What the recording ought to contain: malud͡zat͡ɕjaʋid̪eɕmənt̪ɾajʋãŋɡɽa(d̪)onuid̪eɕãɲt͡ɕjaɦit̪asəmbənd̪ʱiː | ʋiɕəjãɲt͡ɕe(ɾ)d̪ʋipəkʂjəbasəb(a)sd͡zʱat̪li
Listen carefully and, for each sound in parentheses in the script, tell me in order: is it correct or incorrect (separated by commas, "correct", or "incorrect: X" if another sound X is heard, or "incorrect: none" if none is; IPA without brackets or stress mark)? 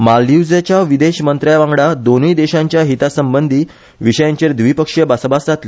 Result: correct, correct, correct